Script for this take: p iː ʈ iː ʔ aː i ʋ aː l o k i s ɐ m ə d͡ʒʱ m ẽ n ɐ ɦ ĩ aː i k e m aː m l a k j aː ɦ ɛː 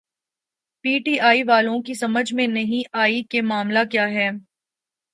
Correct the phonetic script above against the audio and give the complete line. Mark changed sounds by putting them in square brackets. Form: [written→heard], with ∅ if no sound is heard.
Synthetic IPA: p iː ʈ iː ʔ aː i ʋ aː l [o→õ] k i s ɐ m ə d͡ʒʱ m ẽ n ɐ ɦ ĩ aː i k e m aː m l a k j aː ɦ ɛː